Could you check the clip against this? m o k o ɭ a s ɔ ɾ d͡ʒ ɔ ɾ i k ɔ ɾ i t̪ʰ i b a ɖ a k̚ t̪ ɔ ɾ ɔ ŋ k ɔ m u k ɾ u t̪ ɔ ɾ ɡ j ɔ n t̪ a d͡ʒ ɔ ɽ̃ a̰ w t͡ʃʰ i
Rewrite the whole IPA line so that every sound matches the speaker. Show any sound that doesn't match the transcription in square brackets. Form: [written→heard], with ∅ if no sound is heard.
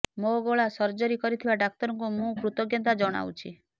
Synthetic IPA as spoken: m o [k→ɡ] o ɭ a s ɔ ɾ d͡ʒ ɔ ɾ i k ɔ ɾ i t̪ʰ i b a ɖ a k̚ t̪ ɔ ɾ ɔ ŋ k [ɔ→u] m [u→ũ] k ɾ u t̪ ɔ [ɾ→∅] ɡ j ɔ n t̪ a d͡ʒ ɔ ɽ̃ a̰ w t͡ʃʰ i

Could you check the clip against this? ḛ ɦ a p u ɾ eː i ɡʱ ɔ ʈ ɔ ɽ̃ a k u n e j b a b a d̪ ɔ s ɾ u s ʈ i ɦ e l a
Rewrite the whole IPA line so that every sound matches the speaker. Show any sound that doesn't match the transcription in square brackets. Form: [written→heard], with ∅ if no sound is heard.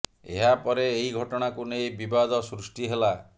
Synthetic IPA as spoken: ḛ ɦ a p [u→ɔ] ɾ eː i ɡʱ ɔ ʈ ɔ ɽ̃ a k u n e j b [a→i] b a d̪ ɔ s ɾ u s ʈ i ɦ e l a

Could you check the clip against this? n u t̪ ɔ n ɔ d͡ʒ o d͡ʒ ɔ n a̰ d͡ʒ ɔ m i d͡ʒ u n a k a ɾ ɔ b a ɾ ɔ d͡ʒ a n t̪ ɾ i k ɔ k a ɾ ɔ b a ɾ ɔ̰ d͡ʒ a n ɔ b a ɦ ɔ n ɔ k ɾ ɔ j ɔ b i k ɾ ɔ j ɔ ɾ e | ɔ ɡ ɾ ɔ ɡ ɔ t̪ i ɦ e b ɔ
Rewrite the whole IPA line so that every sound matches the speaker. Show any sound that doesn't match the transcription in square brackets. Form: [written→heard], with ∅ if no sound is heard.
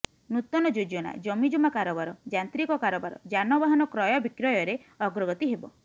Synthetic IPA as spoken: n u t̪ ɔ n ɔ d͡ʒ o d͡ʒ ɔ n a̰ d͡ʒ ɔ m i d͡ʒ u [n→m] a k a ɾ ɔ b a ɾ ɔ d͡ʒ a n t̪ ɾ i k ɔ k a ɾ ɔ b a ɾ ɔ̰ d͡ʒ a n ɔ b a ɦ ɔ n ɔ k ɾ ɔ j ɔ b i k ɾ ɔ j ɔ ɾ e | ɔ ɡ ɾ ɔ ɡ ɔ t̪ i ɦ e b ɔ

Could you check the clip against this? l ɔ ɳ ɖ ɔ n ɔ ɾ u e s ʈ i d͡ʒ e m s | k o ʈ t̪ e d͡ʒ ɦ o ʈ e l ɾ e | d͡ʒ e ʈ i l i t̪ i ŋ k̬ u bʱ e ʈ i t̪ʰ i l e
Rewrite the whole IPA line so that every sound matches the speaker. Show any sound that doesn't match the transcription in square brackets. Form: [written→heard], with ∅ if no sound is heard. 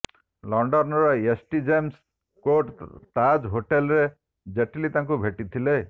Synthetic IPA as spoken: l ɔ ɳ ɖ ɔ n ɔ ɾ [u→ɔ] e s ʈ i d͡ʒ e m s | k o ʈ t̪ [e→a] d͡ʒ ɦ o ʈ e l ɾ e | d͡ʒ e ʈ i l i t̪ [i→a] ŋ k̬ u bʱ e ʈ i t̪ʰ i l e

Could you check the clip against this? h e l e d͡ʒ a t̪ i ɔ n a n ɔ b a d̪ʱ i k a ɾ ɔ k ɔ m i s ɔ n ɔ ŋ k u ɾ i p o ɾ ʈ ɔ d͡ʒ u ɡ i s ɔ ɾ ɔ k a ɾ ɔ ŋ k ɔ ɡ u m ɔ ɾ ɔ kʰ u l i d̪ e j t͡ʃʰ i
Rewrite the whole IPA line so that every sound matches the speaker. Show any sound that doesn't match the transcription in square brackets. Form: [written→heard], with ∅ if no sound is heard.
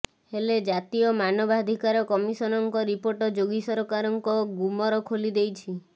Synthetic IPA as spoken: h e l e d͡ʒ a t̪ i ɔ [n→m] a n ɔ b a d̪ʱ i k a ɾ ɔ k ɔ m i s ɔ n ɔ ŋ k [u→ɔ] ɾ i p o ɾ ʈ ɔ d͡ʒ [u→o] ɡ i s ɔ ɾ ɔ k a ɾ ɔ ŋ k ɔ ɡ u m ɔ ɾ ɔ kʰ [u→o] l i d̪ e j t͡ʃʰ i

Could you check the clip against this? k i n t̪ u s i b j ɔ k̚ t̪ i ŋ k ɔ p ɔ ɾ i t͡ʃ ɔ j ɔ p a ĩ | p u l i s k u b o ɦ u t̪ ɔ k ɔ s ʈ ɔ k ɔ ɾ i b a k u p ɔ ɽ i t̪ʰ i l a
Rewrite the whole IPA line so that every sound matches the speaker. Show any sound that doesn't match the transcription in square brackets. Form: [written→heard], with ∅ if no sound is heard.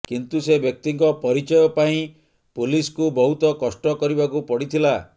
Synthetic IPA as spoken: k i n t̪ u s [i→e] b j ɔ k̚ t̪ i ŋ k ɔ p ɔ ɾ i t͡ʃ ɔ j ɔ p a ĩ | p u l i s k u b [o→ɔ] ɦ u t̪ ɔ k ɔ s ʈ ɔ k ɔ ɾ i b a k u p ɔ ɽ i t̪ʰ i l a

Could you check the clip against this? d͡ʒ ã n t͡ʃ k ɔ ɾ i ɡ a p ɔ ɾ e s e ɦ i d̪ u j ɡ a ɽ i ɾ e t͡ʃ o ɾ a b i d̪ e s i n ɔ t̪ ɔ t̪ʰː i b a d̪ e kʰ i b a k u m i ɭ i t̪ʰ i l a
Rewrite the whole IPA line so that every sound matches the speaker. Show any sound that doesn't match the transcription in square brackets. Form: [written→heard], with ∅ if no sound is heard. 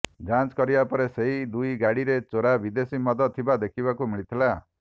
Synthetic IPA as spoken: d͡ʒ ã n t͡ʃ k ɔ ɾ i [ɡ→b] a p ɔ ɾ e s e ɦ i d̪ u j ɡ a ɽ i ɾ e t͡ʃ o ɾ a b i d̪ e s i [n→m] ɔ [t̪→d̪] ɔ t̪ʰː i b a d̪ e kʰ i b a k u m i ɭ i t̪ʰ i l a

